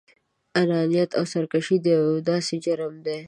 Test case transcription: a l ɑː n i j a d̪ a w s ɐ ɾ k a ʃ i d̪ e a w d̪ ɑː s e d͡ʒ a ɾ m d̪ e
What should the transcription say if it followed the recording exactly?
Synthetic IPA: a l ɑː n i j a t̪ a w s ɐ ɾ k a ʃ i d̪ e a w d̪ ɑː s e d͡ʒ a ɾ m d̪ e